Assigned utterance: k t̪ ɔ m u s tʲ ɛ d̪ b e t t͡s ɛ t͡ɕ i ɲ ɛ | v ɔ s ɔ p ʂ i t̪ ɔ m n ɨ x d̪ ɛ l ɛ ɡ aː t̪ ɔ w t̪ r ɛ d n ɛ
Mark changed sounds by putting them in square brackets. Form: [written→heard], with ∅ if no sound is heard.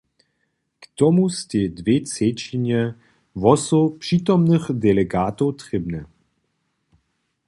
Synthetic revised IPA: k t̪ ɔ m u s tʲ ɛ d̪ [b→v] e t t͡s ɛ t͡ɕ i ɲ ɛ | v ɔ s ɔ p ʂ i t̪ ɔ m n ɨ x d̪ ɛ l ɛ ɡ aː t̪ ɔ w t̪ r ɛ [d→b] n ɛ